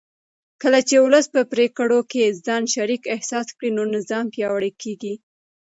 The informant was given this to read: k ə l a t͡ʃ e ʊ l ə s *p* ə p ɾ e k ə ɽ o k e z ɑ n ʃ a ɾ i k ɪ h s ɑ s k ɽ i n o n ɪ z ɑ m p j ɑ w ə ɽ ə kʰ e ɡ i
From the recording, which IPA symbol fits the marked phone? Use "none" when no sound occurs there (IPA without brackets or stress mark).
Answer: p